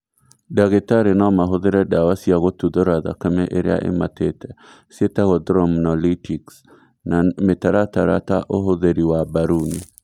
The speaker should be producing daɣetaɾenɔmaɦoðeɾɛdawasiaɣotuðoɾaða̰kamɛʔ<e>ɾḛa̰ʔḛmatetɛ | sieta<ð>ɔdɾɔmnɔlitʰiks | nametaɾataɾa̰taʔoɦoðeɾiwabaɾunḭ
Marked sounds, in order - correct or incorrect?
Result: correct, incorrect: ɣ

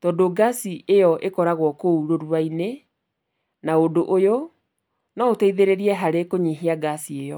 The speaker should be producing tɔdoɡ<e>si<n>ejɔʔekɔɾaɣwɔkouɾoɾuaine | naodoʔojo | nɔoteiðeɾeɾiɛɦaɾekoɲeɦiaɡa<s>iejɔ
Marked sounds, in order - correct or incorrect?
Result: incorrect: a, incorrect: none, correct

